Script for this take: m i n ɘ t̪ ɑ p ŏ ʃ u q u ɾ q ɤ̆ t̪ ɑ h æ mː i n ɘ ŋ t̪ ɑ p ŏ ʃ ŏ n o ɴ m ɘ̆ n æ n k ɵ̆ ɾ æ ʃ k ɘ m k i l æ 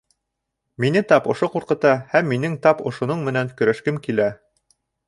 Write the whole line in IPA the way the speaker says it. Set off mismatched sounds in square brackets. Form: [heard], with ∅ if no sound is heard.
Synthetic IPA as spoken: m i n ɘ t̪ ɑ p ŏ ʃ [o] q u ɾ q ɤ̆ t̪ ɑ h æ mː i n ɘ ŋ t̪ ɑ p ŏ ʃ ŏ n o ɴ m ɘ̆ n æ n k ɵ̆ ɾ æ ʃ k ɘ m k i l æ